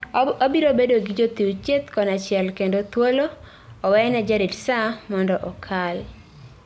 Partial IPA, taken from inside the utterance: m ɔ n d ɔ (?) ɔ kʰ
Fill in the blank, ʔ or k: ʔ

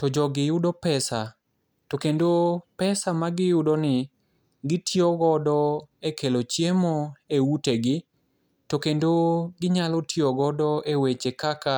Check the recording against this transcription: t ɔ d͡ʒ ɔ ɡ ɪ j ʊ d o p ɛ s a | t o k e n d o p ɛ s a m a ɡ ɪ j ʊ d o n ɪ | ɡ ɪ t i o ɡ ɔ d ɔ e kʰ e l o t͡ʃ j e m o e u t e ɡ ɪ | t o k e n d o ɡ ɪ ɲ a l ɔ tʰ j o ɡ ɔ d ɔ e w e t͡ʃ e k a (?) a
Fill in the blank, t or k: k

